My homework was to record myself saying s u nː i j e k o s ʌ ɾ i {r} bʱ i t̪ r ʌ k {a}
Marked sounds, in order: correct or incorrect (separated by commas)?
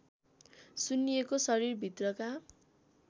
correct, correct